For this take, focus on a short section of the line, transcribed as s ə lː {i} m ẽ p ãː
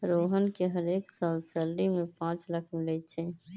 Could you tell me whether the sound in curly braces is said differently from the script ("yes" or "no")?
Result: no